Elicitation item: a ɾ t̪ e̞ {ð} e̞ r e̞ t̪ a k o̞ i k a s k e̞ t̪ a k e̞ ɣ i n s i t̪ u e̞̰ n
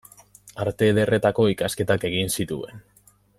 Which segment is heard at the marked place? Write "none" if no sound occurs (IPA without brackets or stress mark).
ð